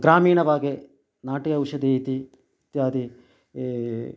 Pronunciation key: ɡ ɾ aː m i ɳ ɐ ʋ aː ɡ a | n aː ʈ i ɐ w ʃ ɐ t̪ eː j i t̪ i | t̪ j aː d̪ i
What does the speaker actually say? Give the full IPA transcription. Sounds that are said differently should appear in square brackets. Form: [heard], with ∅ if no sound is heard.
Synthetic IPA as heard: ɡ ɾ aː m [iː] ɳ ɐ ʋ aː ɡ [e] | n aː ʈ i ɐ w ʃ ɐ [d̪] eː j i t̪ i | t̪ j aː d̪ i